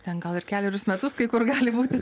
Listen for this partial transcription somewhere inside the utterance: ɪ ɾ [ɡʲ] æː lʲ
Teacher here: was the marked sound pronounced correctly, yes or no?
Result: no